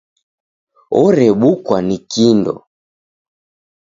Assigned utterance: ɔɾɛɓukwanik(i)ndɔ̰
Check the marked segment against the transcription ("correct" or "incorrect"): correct